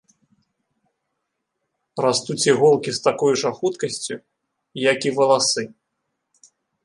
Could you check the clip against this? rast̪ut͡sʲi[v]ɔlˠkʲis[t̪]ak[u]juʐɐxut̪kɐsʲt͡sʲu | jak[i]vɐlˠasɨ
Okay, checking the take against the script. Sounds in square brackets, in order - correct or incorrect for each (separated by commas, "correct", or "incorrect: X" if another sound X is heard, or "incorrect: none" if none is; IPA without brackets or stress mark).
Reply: incorrect: ɣ, correct, incorrect: ɔ, correct